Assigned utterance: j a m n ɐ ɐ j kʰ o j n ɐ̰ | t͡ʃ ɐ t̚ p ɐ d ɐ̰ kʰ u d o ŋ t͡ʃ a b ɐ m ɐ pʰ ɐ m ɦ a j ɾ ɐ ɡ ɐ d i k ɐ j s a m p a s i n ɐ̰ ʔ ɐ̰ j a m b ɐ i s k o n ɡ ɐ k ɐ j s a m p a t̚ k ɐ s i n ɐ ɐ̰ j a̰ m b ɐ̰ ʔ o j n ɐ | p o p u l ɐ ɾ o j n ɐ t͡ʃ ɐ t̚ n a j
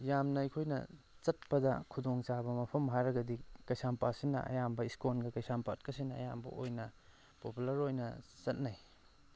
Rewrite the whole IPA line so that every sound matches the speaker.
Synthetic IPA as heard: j a m n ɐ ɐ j kʰ o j n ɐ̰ | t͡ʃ ɐ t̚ p ɐ d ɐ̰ kʰ u d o ŋ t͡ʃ a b ɐ m ɐ pʰ ɐ m ɦ a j ɾ ɐ ɡ ɐ d i k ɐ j s a m p a s i n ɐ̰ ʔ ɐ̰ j a m b ɐ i s k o n ɡ ɐ k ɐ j s a m p a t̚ k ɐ s i n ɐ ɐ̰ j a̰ m b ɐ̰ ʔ o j n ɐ | p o p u l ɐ ɾ o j n ɐ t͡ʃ ɐ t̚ n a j